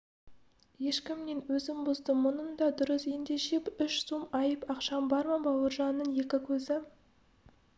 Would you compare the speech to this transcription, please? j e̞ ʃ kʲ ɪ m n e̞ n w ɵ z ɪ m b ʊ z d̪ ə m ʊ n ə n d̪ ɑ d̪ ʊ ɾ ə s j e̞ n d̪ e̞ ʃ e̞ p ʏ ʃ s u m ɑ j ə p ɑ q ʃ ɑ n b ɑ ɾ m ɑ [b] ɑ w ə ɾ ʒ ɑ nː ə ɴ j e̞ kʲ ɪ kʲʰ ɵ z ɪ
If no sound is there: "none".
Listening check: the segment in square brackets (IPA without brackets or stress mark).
b